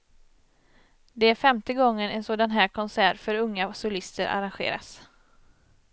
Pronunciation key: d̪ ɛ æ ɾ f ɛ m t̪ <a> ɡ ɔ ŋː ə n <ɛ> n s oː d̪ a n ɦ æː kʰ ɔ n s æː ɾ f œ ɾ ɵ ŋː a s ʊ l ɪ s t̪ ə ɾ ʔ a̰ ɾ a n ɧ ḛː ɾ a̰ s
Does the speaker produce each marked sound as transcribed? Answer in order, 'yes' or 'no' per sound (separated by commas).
no, yes